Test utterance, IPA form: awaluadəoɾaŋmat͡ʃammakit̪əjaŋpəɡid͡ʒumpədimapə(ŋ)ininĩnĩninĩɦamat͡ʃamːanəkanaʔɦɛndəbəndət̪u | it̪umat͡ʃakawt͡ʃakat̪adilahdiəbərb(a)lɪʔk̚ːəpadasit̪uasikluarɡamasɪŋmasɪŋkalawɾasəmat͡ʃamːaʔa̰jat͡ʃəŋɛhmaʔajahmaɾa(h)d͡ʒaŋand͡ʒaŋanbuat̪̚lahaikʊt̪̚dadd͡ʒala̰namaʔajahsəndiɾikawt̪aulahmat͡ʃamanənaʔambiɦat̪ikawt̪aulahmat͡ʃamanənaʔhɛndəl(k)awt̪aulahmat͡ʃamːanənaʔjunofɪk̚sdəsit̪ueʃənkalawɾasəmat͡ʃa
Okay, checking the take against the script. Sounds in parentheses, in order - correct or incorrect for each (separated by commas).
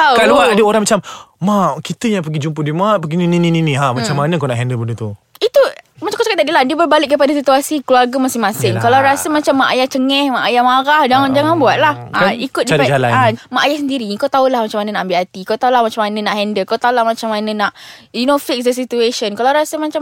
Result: incorrect, correct, correct, correct